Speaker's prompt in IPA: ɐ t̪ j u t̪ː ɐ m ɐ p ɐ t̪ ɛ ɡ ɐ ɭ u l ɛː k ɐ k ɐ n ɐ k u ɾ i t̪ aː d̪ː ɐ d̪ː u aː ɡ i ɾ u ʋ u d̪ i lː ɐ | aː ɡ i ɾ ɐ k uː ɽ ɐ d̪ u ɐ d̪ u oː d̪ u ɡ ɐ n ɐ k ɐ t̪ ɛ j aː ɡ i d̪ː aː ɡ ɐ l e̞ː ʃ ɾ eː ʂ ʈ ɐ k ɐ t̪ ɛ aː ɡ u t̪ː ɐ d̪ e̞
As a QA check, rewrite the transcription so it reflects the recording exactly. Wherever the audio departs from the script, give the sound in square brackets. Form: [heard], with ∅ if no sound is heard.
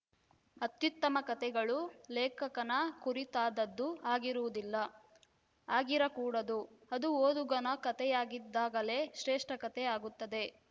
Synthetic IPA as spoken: ɐ t̪ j u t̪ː ɐ m ɐ [k] ɐ t̪ ɛ ɡ ɐ ɭ u l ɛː k ɐ k ɐ n ɐ k u ɾ i t̪ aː [d̪] ɐ d̪ː u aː ɡ i ɾ u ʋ u d̪ i lː ɐ | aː ɡ i ɾ ɐ k uː ɽ ɐ d̪ u ɐ d̪ u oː d̪ u ɡ ɐ n ɐ k ɐ t̪ ɛ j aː ɡ i d̪ː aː ɡ ɐ l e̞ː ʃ ɾ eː ʂ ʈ ɐ k ɐ t̪ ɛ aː ɡ u t̪ː ɐ d̪ e̞